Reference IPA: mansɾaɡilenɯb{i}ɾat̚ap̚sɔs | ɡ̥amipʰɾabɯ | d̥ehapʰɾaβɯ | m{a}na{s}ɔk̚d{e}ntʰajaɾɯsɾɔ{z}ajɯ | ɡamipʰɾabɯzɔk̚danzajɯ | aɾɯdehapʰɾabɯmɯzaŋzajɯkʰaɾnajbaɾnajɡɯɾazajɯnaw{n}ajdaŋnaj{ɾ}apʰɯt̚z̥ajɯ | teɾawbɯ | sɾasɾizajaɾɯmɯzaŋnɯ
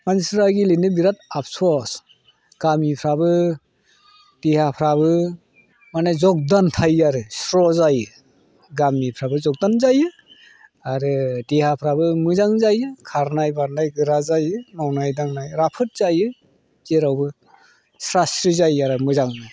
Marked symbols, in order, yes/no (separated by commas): yes, yes, no, no, yes, yes, yes